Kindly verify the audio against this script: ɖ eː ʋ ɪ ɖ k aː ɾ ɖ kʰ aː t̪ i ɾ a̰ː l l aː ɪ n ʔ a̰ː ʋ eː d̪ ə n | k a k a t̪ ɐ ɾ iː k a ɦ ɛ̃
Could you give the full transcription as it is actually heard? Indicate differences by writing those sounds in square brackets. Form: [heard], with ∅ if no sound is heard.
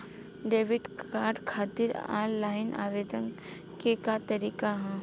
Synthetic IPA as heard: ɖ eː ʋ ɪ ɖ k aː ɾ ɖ kʰ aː t̪ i ɾ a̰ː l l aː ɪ n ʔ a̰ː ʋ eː d̪ ə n | k [e] k a t̪ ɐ ɾ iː k a ɦ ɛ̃